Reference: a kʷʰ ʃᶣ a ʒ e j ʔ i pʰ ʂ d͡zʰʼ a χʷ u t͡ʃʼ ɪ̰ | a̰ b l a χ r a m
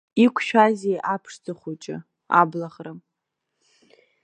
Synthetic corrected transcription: i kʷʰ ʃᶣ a z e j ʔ a pʰ ʂ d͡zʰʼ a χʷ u t͡ʃʼ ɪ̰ | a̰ b l a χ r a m

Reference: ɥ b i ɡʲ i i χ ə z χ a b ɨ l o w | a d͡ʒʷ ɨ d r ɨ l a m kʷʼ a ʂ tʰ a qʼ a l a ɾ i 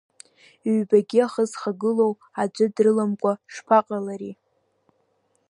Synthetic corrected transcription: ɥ b a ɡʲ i a χ ə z χ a ɡ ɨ l o w | a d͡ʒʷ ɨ d r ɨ l a m kʷʼ a ʂ pʰ a qʼ a l a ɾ i

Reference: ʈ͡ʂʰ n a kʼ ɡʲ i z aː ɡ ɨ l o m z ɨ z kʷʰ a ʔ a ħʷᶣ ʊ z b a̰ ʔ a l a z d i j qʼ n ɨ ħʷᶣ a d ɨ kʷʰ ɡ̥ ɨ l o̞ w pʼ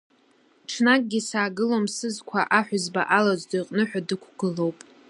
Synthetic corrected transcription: ʈ͡ʂʰ n a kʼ ɡʲ i s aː ɡ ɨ l o m s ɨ z kʷʰ a ʔ a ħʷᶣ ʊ z b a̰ ʔ a l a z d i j qʼ n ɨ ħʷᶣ a d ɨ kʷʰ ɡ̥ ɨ l o̞ w pʼ

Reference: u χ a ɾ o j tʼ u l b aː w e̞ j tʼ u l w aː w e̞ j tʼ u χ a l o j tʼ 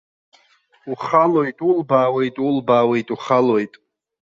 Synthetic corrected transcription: u χ a l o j tʼ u l b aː w e̞ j tʼ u l b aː w e̞ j tʼ u χ a l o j tʼ

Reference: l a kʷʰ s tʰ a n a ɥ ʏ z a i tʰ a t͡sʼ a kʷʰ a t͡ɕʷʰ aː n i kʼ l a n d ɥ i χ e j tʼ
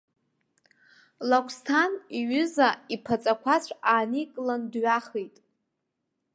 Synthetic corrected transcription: l a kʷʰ s tʰ a n i ɥ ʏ z a i pʰ a t͡sʼ a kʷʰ a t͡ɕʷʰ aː n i kʼ l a n d ɥ a χ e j tʼ

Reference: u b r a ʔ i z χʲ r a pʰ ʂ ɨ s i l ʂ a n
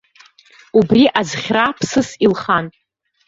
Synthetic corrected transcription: u b r i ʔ a z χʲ r a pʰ s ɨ s i l χ a n

